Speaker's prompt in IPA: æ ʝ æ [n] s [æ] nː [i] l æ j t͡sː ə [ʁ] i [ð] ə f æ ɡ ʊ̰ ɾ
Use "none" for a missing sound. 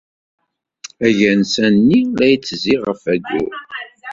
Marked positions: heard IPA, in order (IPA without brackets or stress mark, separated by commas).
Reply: n, æ, i, z, ʁ